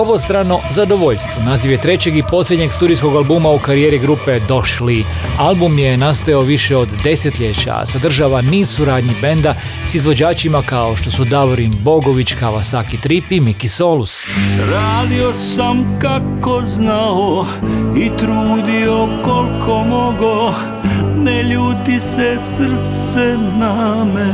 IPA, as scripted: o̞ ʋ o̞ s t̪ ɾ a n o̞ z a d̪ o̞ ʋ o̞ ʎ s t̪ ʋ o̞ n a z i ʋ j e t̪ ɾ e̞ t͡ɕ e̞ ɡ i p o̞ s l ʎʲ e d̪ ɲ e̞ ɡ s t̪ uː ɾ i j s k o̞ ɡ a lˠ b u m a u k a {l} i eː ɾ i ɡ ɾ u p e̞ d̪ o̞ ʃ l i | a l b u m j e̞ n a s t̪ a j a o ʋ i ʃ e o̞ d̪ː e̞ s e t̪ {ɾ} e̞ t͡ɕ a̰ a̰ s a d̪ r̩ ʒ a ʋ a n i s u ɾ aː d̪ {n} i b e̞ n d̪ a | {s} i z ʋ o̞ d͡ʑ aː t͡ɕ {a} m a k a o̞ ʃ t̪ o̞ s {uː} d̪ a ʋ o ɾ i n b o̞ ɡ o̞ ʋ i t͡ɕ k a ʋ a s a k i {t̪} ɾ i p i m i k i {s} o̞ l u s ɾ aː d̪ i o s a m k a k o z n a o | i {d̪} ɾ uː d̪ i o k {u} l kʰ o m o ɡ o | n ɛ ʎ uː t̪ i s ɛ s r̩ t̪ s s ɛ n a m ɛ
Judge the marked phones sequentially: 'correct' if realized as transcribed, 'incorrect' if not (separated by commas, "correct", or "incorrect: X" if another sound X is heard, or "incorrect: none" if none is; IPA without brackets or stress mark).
incorrect: ɾ, incorrect: ʎ, incorrect: ɲ, correct, incorrect: i, incorrect: u, correct, correct, incorrect: t̪, incorrect: o